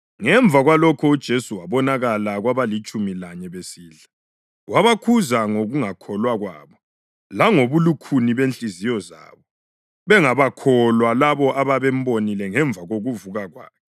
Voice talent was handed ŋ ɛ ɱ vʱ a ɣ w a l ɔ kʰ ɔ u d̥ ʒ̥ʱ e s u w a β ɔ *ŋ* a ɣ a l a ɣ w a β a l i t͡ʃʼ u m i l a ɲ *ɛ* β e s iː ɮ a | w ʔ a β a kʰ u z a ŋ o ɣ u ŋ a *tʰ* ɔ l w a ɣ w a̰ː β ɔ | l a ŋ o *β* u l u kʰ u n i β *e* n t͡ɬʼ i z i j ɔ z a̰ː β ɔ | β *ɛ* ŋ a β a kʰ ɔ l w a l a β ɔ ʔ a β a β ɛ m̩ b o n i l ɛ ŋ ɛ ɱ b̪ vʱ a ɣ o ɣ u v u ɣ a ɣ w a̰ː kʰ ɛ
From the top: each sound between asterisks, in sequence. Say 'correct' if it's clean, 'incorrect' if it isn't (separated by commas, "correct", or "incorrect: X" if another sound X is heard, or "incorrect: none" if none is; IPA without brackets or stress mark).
incorrect: n, correct, incorrect: kʰ, correct, correct, correct